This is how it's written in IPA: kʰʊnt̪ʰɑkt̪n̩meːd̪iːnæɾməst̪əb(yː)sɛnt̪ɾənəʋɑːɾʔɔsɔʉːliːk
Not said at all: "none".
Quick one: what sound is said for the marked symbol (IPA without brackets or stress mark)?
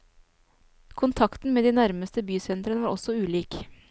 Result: yː